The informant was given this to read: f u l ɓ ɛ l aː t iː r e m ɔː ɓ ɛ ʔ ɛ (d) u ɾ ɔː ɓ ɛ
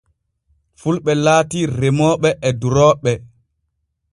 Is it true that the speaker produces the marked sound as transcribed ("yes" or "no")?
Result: yes